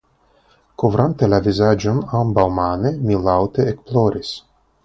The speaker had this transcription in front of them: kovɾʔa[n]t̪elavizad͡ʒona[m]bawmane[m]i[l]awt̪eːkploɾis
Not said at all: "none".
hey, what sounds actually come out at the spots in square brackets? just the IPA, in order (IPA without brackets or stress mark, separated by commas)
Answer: n, m, m, l